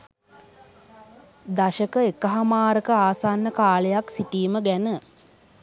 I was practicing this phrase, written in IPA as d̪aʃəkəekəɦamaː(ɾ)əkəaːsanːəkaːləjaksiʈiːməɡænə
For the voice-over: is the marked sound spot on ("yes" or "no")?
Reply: yes